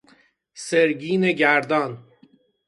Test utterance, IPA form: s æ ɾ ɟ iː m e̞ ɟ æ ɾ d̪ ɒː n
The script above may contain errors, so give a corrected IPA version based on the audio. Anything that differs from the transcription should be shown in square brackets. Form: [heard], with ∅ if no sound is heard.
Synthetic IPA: s [e] ɾ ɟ iː [n] e̞ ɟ æ ɾ d̪ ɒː n